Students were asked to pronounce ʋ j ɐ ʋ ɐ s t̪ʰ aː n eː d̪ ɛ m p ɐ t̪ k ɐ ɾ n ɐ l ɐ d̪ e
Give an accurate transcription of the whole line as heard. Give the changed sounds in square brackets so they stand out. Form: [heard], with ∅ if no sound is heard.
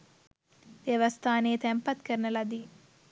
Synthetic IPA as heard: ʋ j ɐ ʋ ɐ s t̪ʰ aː n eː [t̪] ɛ m p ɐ t̪ k ɐ ɾ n ɐ l ɐ d̪ [i]